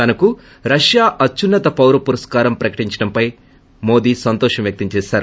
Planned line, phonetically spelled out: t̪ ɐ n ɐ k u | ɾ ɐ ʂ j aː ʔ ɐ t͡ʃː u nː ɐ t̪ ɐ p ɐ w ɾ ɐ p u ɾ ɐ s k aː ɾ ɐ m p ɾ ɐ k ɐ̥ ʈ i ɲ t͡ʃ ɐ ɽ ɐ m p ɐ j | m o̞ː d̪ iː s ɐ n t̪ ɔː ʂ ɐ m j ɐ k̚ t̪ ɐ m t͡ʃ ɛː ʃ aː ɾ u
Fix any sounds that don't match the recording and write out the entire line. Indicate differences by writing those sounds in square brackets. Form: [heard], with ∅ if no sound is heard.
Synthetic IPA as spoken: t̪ ɐ n ɐ k u | ɾ ɐ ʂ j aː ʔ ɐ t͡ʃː u nː ɐ t̪ ɐ p ɐ w ɾ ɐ p u ɾ ɐ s k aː ɾ ɐ m p ɾ ɐ k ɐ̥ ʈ i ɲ t͡ʃ ɐ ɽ ɐ m p ɐ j | m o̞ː d̪ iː s ɐ n t̪ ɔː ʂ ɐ m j ɐ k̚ t̪ ɐ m t͡ʃ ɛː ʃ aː ɾ u